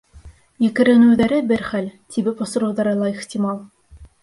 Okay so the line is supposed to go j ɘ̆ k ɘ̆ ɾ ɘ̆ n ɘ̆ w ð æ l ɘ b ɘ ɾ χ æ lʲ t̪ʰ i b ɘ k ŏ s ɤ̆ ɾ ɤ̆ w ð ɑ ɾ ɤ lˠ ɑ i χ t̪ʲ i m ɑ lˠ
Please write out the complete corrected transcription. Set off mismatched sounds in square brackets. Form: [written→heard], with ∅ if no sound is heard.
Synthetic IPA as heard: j ɘ̆ k ɘ̆ ɾ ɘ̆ n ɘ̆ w ð æ [l→ɾ] ɘ b ɘ ɾ χ æ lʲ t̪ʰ i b ɘ [k→p] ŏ s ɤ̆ ɾ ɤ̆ w ð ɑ ɾ ɤ lˠ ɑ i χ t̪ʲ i m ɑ lˠ